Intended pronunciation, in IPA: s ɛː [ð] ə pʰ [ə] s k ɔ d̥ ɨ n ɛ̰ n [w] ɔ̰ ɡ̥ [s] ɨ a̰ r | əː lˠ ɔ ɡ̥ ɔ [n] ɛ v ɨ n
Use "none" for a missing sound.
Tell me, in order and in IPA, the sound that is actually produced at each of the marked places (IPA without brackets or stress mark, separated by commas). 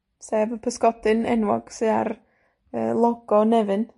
v, ə, w, s, n